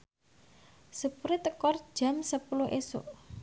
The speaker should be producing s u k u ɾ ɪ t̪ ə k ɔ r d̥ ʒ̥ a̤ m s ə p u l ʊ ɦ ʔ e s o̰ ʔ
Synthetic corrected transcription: s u p u ɾ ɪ t̪ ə k ɔ r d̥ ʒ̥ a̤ m s ə p u l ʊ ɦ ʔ e s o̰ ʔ